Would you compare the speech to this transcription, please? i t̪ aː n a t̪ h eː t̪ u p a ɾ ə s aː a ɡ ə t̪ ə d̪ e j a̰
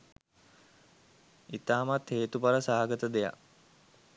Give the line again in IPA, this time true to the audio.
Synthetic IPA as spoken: i t̪ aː m a t̪ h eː t̪ u p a ɾ ə s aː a ɡ ə t̪ ə d̪ e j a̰